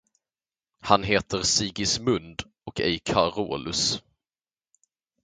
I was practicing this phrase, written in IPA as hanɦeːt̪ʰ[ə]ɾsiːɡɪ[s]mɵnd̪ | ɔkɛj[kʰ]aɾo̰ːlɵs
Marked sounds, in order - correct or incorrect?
correct, correct, correct

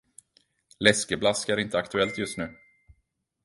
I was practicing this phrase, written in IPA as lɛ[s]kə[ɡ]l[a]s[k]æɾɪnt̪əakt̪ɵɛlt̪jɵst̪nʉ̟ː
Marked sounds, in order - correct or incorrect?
correct, incorrect, correct, correct

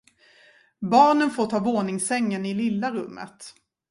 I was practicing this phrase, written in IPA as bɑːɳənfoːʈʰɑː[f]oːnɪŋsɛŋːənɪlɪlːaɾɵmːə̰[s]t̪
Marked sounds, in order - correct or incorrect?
incorrect, incorrect

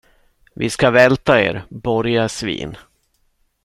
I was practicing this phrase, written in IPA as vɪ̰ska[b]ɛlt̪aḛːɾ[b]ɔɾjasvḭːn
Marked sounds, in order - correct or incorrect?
incorrect, correct

